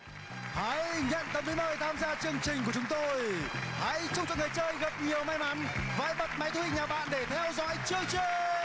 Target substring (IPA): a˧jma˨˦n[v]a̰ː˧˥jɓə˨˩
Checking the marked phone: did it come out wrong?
no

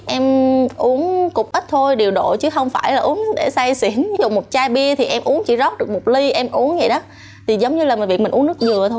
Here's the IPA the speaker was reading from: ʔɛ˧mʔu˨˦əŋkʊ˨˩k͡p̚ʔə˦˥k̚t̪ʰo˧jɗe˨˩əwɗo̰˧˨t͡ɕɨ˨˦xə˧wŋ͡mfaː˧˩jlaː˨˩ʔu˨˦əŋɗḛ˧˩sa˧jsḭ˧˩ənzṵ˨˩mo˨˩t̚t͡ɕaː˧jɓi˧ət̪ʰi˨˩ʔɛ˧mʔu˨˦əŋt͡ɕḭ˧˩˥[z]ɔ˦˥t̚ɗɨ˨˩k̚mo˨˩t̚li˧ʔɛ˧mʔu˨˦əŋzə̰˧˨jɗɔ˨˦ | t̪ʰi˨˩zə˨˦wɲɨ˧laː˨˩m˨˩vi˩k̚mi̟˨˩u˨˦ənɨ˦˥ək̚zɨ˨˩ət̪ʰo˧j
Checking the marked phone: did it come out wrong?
no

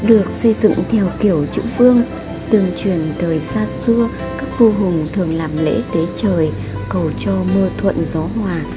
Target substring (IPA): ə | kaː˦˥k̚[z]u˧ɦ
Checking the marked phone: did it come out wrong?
yes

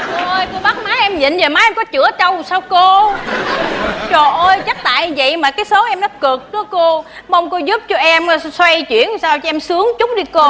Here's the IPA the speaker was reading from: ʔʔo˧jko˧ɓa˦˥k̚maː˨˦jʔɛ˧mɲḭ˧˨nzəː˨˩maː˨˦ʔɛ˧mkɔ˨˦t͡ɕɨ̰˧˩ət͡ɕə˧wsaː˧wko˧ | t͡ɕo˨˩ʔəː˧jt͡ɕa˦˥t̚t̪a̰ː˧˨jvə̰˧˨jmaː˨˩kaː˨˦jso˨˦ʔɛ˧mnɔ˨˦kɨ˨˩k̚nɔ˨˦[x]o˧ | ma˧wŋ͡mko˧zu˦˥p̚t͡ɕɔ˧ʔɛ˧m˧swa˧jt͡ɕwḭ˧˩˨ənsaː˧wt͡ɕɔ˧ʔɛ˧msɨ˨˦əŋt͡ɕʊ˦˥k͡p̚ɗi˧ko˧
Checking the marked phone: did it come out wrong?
yes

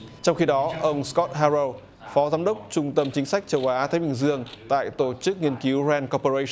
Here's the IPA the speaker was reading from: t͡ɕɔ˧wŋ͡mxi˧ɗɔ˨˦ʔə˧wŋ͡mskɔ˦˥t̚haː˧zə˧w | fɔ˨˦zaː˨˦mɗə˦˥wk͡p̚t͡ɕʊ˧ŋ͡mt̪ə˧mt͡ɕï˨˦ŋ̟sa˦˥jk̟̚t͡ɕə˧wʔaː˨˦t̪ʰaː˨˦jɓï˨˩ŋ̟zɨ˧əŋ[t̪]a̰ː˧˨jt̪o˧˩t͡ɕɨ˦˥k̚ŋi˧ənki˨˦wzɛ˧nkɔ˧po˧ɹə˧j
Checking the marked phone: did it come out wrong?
no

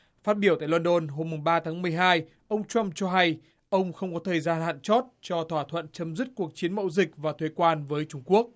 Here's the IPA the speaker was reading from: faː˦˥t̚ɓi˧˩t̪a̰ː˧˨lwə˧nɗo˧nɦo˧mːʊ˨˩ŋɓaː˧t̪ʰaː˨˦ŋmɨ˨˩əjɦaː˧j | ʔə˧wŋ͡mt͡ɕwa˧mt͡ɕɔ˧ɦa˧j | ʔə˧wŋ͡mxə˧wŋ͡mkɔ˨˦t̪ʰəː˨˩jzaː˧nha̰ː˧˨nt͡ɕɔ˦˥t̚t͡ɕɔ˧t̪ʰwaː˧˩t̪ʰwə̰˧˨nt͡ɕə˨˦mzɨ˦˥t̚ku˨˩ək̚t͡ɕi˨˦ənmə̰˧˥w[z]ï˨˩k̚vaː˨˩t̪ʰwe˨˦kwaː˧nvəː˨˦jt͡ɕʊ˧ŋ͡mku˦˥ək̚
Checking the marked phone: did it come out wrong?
no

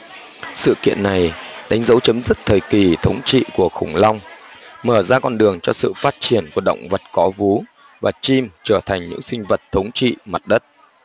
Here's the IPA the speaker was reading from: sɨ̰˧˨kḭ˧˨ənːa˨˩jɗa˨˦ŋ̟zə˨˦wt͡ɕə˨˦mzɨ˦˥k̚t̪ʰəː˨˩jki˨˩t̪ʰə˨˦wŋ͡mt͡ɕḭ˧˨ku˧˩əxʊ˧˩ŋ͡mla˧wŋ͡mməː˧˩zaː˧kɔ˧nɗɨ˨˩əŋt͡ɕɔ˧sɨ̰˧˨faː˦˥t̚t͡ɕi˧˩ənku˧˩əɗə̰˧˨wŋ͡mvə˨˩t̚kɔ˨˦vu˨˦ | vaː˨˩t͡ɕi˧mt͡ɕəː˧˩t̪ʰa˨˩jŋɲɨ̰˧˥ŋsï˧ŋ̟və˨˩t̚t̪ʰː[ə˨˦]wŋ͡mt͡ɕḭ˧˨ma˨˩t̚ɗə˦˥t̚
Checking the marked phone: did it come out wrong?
no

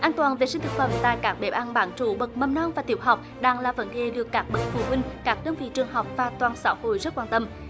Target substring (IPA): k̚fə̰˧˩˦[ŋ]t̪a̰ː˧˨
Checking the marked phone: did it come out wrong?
yes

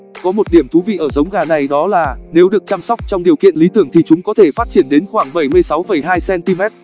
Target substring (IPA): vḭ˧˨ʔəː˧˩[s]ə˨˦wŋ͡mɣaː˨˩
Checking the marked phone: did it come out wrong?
yes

